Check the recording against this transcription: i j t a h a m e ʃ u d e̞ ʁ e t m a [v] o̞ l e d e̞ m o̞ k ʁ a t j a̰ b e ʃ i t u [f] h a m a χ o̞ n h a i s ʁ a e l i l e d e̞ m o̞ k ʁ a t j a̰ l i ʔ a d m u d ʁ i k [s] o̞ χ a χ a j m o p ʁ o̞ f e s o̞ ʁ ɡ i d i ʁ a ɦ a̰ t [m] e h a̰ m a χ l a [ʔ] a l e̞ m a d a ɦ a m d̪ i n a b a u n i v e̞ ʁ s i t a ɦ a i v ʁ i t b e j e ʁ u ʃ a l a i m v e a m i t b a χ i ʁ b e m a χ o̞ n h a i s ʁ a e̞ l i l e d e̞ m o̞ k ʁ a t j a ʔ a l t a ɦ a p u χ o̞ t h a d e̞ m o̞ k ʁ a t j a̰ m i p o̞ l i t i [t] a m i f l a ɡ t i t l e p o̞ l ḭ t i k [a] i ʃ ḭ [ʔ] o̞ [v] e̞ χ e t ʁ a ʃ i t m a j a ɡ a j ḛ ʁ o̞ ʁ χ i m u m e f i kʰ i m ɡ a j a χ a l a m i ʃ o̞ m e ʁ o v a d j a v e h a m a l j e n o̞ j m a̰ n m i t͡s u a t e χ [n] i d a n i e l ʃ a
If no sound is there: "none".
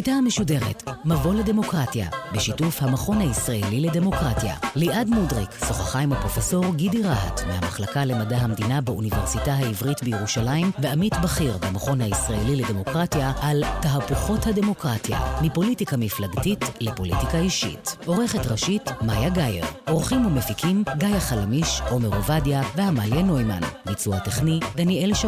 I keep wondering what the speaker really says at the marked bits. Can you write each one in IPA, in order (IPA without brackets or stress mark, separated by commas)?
v, f, s, m, k, k, a, t, ʁ, n